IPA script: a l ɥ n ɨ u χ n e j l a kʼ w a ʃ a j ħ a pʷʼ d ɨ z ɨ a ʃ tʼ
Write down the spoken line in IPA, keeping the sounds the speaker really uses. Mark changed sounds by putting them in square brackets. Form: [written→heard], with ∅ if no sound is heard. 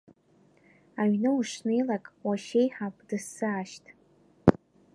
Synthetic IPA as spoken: a [l→∅] ɥ n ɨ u [χ→ʂ] n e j l a kʼ w a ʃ [a→e] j ħ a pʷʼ d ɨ [z→s] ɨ a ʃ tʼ